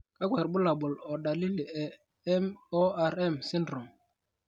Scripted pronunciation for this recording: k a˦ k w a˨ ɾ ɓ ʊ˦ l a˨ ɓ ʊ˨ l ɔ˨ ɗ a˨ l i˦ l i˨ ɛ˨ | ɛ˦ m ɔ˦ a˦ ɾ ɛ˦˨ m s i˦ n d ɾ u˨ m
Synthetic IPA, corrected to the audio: k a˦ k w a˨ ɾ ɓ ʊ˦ l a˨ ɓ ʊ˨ l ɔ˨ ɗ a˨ l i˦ l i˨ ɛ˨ | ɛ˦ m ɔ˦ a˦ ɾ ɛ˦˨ m s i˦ n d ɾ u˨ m